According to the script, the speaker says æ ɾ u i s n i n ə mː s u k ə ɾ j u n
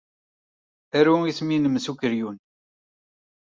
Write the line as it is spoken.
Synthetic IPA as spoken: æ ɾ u i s m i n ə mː s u k ə ɾ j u n

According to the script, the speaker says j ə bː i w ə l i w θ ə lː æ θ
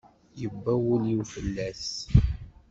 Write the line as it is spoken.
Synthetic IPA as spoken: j ə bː æ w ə l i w f ə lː æ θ

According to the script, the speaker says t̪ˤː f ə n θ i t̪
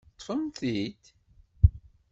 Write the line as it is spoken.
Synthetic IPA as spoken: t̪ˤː f ə m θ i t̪

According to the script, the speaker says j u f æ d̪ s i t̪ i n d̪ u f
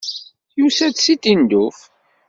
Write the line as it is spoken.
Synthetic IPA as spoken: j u s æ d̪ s i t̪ i n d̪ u f

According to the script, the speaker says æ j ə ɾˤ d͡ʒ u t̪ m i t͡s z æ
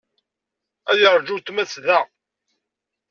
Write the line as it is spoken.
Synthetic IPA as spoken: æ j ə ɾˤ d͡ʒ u t̪ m æ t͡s ð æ

